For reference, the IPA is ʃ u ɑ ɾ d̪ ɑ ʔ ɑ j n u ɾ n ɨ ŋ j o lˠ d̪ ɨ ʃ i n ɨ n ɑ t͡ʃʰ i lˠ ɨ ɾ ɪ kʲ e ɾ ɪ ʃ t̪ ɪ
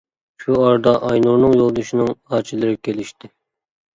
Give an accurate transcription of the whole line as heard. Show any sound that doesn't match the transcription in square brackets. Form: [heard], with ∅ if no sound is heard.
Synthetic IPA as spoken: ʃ u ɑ ɾ d̪ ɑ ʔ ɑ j n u ɾ n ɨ ŋ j o lˠ d̪ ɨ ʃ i n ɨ [ŋ] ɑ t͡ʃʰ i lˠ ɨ ɾ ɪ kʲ e [l] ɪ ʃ t̪ ɪ